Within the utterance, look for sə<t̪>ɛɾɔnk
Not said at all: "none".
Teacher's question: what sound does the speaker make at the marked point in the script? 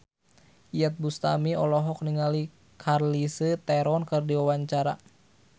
t̪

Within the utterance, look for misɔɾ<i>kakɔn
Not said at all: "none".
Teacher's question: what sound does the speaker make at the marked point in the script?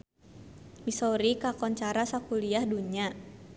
i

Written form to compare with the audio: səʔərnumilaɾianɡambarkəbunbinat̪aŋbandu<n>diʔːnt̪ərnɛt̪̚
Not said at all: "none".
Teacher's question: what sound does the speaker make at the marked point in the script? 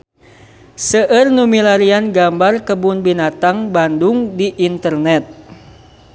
ŋ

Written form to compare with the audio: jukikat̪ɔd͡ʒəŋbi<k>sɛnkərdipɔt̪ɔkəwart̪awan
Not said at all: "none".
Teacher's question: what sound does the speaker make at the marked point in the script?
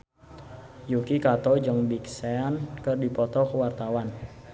k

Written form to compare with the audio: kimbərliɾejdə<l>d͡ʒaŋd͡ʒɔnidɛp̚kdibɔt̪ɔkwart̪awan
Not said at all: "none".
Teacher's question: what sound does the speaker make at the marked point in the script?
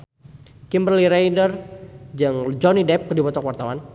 r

